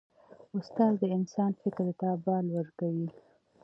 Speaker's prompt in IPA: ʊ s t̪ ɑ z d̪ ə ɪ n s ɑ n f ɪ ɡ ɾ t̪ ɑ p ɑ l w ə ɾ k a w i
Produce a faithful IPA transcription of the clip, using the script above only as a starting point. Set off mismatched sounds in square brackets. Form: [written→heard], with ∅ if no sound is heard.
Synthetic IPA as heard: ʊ s t̪ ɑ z d̪ ə ɪ n s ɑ n f ɪ [ɡ→k] ɾ t̪ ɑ [p→b] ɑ l w ə ɾ k a w i

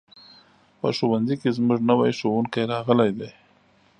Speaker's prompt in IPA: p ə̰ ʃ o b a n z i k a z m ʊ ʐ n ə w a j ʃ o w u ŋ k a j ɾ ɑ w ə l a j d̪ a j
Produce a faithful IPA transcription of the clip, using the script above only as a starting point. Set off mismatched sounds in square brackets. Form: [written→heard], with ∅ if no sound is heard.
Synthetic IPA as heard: p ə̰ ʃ o [b→w] a n z i k [a→e] z m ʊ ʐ n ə w a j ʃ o w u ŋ k a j ɾ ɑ [w→ɣ] ə l a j d̪ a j

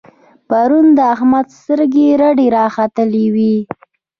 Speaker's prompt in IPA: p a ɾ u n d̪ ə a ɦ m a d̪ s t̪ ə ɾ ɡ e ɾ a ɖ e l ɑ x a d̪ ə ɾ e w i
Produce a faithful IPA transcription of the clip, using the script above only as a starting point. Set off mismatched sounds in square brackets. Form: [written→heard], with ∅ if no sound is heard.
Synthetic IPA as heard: p a ɾ u n d̪ ə a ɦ m a d̪ s t̪ ə ɾ ɡ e ɾ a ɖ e [l→ɾ] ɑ x a [d̪→t̪] ə [ɾ→l] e w i

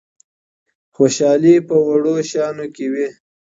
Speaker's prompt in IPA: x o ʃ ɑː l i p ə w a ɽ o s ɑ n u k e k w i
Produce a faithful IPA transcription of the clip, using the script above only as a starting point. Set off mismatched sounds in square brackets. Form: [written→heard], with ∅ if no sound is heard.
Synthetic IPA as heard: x o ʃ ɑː l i p ə w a ɽ o [s→ʃ] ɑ n [u→o] k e [k→∅] w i

